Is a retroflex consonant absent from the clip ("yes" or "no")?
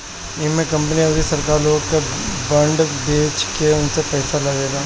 no